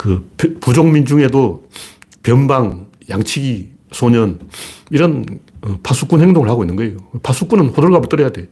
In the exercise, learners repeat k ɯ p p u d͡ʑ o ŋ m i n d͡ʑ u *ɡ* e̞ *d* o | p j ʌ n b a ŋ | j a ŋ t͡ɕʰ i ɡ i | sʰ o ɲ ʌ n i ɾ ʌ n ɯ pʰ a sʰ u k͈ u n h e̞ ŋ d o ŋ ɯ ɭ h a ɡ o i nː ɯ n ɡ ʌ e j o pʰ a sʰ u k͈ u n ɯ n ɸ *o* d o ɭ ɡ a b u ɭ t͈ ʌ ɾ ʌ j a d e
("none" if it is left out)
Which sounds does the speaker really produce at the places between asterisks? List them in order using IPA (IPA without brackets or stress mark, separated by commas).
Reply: ŋ, d, o